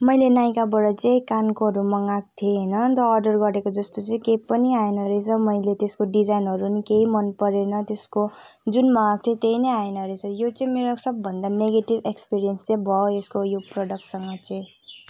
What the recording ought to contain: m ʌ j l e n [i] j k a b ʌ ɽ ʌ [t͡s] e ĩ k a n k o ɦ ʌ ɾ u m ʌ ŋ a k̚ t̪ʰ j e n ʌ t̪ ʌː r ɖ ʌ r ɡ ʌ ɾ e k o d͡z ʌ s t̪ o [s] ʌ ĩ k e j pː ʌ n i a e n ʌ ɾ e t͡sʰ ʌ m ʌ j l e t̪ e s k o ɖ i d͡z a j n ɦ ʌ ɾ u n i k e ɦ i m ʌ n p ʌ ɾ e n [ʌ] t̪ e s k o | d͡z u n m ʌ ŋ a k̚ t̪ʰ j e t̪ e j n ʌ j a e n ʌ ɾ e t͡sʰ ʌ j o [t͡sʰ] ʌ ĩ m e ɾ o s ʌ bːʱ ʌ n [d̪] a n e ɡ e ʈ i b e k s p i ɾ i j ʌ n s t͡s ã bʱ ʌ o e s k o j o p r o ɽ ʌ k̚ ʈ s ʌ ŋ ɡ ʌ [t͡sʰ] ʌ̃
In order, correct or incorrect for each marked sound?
incorrect, correct, incorrect, correct, incorrect, correct, incorrect

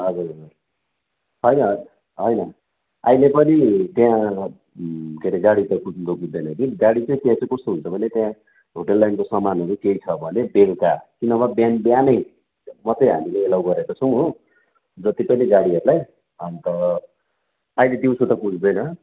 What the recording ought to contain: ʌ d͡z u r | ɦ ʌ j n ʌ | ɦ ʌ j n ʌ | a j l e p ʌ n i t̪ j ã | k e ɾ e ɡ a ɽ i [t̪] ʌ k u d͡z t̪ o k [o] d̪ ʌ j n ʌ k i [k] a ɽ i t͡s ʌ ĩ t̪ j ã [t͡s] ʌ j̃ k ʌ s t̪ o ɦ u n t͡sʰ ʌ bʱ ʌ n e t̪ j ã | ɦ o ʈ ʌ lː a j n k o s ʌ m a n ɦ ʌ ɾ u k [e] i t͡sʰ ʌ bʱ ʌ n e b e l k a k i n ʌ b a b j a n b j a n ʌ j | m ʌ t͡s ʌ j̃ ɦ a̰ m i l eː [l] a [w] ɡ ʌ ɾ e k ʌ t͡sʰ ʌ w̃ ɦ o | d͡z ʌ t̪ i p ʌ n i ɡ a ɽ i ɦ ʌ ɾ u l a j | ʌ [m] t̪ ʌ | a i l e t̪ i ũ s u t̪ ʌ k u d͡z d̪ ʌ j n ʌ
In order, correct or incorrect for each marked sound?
correct, incorrect, incorrect, correct, correct, correct, correct, incorrect

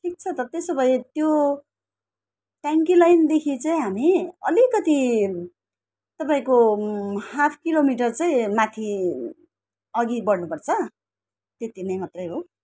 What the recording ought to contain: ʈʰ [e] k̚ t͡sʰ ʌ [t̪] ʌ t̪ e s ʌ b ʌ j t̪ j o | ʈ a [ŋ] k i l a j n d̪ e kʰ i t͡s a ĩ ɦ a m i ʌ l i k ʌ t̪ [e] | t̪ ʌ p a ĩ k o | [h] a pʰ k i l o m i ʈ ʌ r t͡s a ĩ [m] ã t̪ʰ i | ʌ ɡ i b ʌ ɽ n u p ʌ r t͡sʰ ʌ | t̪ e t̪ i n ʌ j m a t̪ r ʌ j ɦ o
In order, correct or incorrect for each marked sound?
incorrect, correct, correct, incorrect, correct, correct

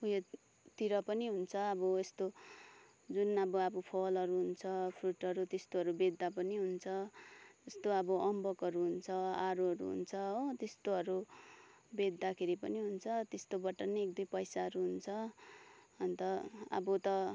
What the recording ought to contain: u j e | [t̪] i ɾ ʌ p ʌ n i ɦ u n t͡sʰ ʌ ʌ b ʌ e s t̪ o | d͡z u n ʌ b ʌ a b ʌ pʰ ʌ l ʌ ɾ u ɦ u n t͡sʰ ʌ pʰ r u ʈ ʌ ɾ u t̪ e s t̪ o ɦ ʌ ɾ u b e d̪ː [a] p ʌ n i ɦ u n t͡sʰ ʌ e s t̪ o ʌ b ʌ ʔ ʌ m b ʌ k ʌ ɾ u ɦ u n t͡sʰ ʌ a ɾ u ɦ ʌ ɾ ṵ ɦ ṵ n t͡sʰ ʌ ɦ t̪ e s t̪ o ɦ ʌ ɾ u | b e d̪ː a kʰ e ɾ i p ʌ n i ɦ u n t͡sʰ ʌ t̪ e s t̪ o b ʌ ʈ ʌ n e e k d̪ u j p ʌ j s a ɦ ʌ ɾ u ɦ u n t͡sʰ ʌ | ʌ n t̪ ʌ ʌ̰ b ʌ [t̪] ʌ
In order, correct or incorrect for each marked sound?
correct, correct, correct

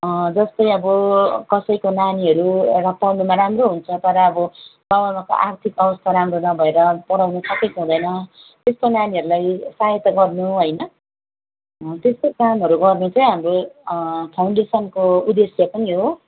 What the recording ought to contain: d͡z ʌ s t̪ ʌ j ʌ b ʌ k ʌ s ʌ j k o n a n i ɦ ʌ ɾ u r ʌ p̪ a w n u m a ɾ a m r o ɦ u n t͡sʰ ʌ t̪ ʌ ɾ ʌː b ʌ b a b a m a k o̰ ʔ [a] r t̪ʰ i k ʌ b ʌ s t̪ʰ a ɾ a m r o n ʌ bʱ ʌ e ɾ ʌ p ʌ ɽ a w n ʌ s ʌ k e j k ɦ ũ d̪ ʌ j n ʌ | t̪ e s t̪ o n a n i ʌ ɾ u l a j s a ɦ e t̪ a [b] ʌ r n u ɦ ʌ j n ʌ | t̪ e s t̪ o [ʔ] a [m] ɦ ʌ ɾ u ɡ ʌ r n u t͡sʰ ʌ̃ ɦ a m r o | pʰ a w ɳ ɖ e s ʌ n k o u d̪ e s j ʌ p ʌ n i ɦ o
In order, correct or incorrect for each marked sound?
correct, incorrect, incorrect, correct

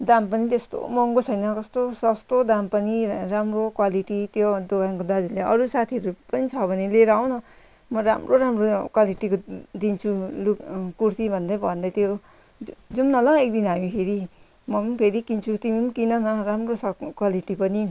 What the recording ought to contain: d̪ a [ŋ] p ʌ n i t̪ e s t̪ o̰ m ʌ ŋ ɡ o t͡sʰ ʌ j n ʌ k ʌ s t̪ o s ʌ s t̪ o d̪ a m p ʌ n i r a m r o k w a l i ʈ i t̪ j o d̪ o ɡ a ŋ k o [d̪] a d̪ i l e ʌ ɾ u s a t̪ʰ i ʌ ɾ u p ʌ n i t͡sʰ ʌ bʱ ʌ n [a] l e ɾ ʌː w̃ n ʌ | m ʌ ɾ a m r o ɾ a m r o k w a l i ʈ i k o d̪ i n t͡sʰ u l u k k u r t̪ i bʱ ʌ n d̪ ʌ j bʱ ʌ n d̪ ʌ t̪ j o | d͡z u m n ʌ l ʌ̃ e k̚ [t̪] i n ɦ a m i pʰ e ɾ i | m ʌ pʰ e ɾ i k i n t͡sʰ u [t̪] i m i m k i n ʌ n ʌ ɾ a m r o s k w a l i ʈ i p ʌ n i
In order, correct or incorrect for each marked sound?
incorrect, correct, incorrect, incorrect, correct

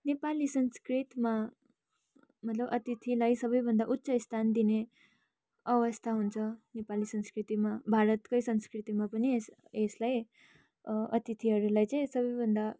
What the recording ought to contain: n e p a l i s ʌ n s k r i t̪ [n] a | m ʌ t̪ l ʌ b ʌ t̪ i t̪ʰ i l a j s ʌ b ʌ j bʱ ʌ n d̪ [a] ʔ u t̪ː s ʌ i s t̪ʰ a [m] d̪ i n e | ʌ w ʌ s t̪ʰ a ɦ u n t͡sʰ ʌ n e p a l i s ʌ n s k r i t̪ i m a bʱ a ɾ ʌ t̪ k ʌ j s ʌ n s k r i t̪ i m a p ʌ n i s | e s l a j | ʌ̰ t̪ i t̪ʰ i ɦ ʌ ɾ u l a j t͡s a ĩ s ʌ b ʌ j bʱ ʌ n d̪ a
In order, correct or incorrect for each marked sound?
incorrect, correct, incorrect

